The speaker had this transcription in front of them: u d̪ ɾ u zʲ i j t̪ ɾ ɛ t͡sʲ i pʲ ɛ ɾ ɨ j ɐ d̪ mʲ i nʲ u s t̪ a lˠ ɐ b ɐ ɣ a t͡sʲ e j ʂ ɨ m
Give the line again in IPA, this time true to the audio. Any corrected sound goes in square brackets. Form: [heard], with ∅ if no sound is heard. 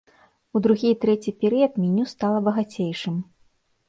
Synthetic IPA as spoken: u d̪ ɾ u [ɣʲ] i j t̪ ɾ ɛ t͡sʲ i pʲ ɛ ɾ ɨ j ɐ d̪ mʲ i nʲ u s t̪ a lˠ ɐ b ɐ ɣ a t͡sʲ e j ʂ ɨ m